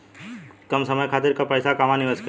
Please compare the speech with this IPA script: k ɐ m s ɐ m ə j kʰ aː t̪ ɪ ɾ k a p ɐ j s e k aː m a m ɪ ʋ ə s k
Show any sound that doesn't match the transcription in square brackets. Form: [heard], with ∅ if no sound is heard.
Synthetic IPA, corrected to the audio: k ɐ m s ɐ m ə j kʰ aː t̪ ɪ ɾ k a p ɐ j s [a] k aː m a [n] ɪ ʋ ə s k